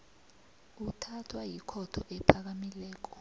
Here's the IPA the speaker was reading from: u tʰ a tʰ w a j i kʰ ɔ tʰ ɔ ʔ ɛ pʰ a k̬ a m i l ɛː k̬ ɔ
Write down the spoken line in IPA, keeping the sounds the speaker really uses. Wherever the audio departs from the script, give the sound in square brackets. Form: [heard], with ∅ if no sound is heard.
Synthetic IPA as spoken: u tʰ a tʰ w a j i kʰ ɔ tʰ ɔ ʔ ɛ pʰ a k̬ a m i l ɛː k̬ ɔ